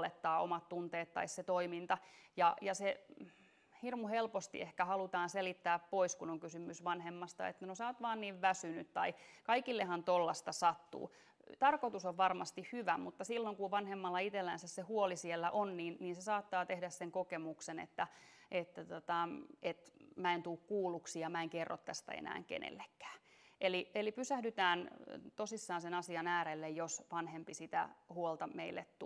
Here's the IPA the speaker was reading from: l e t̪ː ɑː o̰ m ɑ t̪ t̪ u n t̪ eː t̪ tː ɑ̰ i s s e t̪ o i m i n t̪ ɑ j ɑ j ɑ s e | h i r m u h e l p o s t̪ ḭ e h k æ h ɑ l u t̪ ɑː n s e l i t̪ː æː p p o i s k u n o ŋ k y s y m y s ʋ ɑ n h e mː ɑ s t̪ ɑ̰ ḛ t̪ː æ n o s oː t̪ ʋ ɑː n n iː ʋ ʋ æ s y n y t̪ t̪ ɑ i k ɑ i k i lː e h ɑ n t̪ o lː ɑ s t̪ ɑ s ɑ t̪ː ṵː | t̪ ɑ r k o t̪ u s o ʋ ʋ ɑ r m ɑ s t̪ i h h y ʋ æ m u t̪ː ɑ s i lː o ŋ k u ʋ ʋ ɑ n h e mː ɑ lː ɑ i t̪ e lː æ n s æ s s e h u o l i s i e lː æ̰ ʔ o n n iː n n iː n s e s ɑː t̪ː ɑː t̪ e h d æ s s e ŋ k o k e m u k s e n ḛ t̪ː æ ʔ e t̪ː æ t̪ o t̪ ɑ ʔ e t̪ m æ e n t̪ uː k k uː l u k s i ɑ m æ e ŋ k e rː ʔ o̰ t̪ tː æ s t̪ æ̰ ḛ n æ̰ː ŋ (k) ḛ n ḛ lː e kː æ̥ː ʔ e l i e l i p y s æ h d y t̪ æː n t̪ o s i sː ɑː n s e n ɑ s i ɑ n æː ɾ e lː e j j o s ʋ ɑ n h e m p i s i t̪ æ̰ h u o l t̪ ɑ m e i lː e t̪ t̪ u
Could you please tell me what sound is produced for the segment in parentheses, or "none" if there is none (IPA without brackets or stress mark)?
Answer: k